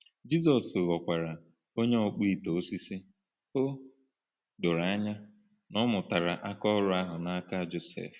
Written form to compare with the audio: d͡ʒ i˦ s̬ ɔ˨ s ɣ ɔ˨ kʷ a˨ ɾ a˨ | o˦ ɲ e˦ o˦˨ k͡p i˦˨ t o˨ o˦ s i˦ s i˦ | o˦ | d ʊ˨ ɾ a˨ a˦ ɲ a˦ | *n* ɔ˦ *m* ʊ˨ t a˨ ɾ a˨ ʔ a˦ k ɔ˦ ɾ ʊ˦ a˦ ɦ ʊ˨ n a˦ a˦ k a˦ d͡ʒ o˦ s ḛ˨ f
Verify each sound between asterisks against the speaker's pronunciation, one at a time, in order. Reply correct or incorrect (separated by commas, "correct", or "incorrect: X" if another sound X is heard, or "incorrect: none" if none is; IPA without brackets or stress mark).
correct, correct